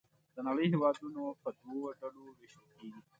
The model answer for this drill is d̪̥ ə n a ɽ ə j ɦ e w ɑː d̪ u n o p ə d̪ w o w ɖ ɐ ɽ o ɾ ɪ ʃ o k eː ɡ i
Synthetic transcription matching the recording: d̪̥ ə n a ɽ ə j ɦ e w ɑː d̪ u n o p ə d̪ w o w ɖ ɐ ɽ o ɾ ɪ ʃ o k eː ɡ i